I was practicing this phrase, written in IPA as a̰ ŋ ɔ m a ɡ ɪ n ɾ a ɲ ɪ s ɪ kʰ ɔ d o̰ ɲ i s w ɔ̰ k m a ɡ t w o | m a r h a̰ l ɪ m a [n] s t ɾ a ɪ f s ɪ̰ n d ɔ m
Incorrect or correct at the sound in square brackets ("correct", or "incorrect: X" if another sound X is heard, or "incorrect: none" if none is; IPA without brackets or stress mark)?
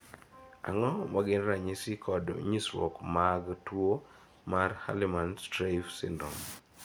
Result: correct